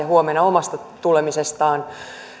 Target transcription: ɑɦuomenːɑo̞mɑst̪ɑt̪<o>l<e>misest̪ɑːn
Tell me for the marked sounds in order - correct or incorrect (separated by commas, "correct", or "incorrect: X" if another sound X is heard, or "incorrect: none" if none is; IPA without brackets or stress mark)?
incorrect: u, correct